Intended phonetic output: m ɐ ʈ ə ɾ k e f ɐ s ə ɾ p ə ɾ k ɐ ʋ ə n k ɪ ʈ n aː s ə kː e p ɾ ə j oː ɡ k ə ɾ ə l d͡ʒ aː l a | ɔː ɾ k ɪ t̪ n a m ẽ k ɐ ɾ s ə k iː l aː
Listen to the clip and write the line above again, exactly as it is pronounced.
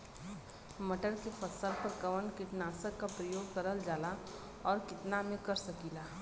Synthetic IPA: m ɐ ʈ ə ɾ k e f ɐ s ə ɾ p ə ɾ k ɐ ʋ ə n k ɪ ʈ n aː s ə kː a p ɾ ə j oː ɡ k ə ɾ ə l d͡ʒ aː l a | ɔː ɾ k ɪ t̪ n a m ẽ k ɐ ɾ s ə k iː l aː